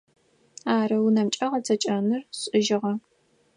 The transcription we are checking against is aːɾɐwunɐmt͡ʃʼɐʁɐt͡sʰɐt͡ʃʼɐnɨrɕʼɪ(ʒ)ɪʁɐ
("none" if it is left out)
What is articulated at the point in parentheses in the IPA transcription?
ʒ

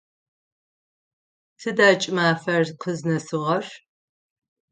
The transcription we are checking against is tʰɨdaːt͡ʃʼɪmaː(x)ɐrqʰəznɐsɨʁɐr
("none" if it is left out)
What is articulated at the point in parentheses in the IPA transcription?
f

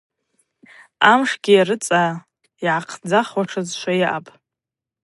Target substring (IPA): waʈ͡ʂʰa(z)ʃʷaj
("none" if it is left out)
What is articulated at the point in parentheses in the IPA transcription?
z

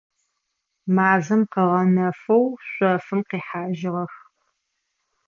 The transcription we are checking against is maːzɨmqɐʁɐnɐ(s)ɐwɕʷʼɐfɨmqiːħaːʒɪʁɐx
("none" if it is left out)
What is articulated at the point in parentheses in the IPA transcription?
f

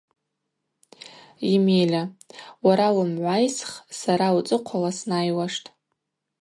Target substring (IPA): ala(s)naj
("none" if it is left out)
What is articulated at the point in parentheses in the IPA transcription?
s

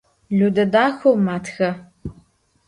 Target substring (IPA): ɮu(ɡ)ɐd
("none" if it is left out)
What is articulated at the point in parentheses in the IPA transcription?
d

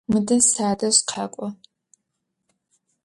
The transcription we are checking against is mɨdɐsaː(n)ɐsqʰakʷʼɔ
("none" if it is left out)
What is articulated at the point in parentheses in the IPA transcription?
d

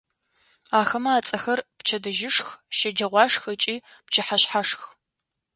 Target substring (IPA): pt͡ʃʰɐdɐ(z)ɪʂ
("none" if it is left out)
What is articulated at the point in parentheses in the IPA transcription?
ʒ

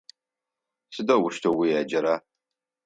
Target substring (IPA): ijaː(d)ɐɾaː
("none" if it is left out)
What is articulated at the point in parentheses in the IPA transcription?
d͡ʒ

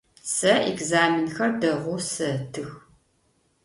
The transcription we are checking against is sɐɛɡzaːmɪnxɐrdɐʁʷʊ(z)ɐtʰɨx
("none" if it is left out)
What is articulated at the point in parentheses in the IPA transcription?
s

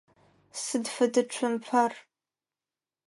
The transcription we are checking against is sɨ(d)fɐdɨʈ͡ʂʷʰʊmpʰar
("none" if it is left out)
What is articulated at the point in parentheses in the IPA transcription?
d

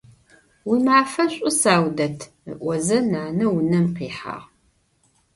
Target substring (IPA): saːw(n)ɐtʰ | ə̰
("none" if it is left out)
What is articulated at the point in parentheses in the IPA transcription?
d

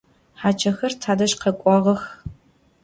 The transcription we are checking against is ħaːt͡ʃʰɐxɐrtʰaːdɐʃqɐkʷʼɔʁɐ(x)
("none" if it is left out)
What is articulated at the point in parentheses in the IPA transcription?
x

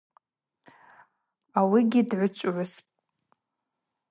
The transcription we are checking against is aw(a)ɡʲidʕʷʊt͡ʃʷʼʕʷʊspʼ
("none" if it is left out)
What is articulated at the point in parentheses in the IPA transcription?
i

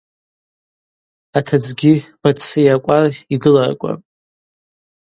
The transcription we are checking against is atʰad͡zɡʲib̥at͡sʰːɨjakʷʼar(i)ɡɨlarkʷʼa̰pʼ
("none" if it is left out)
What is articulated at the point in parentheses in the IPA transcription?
i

